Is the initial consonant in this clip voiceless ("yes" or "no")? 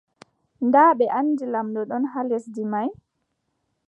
no